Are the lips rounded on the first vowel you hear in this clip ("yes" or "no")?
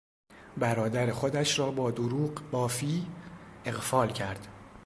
no